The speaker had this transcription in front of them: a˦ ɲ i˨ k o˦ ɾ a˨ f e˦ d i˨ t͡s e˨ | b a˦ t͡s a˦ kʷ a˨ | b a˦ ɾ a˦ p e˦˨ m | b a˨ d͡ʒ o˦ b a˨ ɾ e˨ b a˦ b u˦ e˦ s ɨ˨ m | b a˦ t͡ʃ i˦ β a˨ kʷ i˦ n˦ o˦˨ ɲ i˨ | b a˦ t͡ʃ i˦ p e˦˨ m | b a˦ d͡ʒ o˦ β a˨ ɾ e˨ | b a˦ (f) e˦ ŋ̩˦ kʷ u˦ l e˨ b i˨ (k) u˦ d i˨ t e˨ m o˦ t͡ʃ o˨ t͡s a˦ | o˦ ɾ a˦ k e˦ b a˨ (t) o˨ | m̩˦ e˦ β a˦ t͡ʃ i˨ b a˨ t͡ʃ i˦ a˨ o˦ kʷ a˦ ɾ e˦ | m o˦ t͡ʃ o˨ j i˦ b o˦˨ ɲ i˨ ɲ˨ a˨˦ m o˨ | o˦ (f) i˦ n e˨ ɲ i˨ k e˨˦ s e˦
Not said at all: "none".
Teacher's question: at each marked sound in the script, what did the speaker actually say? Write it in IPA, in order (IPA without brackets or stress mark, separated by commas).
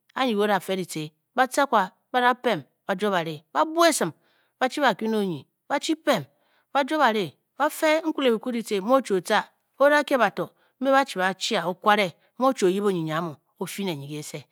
f, k, t, f